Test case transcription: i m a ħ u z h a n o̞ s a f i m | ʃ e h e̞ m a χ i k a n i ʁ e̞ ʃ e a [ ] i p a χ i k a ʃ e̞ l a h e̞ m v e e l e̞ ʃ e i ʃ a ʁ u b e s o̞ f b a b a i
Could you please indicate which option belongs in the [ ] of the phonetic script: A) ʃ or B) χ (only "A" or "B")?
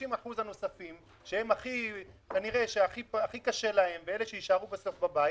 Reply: B